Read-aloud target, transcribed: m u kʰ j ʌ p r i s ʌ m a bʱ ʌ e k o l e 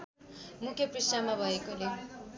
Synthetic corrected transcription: m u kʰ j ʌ p r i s a m a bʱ ʌ e k o l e